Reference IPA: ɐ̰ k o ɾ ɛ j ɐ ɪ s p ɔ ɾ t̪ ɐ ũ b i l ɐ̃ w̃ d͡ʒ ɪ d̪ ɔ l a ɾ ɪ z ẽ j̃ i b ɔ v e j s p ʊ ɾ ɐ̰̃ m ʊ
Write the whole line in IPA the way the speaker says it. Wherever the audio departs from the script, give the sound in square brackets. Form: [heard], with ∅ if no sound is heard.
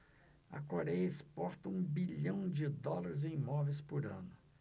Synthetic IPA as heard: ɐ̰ k o ɾ ɛ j ɐ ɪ s p ɔ ɾ t̪ ɐ ũ b i [ʎ] ɐ̃ w̃ d͡ʒ ɪ d̪ ɔ l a ɾ ɪ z ẽ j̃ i [m] ɔ v e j s p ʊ ɾ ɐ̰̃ [n] ʊ